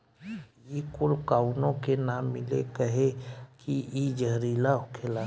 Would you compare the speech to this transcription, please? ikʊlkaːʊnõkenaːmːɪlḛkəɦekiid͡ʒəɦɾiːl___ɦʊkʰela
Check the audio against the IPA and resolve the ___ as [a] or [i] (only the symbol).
a